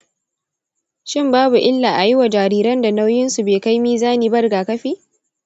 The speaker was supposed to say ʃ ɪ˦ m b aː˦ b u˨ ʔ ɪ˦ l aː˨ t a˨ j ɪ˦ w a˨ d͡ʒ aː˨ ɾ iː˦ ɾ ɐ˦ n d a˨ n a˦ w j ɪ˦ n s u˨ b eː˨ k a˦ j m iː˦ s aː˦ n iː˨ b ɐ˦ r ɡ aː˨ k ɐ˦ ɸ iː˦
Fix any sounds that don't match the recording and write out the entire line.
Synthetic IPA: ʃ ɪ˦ m b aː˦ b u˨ ʔ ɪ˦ lː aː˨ ʔ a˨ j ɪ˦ w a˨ d͡ʒ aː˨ ɾ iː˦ ɾ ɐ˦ n d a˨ n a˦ w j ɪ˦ n s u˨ b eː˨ k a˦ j m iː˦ z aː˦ n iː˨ b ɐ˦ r ɡ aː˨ k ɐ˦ ɸ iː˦